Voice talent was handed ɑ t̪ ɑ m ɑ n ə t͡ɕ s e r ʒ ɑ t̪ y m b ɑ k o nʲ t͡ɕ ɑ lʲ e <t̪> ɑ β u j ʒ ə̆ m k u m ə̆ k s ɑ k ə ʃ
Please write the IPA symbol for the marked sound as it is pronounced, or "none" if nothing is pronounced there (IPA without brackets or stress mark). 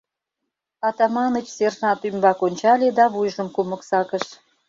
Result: d̪